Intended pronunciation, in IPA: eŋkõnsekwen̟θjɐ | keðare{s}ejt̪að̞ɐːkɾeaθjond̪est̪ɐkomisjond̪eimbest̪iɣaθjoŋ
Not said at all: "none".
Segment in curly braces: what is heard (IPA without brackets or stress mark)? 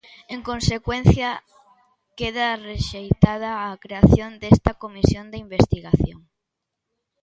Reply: ʃ